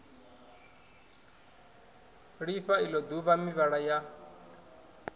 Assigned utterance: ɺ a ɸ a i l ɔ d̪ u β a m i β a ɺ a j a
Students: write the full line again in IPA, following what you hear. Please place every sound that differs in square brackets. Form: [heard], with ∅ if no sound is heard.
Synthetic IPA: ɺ [i] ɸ a i l ɔ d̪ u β a m i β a ɺ a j a